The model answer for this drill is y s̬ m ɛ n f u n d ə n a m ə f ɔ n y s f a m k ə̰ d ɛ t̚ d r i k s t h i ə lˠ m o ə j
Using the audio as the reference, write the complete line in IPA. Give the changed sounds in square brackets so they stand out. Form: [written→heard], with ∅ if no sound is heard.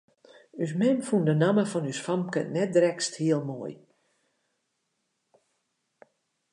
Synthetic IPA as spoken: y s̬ m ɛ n f u n d ə n a m ə f ɔ n y s f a m k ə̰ [d→n] ɛ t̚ d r [i→ɛ] k s t h i ə lˠ m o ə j